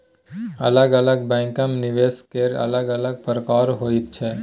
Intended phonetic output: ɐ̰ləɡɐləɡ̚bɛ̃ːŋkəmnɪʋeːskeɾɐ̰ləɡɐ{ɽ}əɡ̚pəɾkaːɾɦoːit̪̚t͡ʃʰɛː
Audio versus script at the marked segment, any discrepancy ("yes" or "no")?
yes